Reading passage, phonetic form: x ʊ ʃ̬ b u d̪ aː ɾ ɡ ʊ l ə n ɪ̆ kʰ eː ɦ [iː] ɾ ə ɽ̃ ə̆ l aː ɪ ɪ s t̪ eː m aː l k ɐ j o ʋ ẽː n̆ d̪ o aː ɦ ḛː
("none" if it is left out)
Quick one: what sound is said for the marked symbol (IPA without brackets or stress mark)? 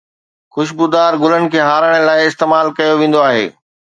aː